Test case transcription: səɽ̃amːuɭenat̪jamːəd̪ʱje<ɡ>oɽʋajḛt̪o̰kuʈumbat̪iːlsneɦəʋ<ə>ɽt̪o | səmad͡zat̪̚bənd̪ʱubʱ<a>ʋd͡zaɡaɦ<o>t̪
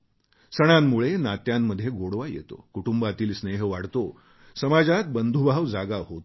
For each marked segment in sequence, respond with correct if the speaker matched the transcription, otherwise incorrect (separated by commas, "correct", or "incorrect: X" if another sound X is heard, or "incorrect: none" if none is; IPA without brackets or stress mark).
correct, incorrect: a, correct, correct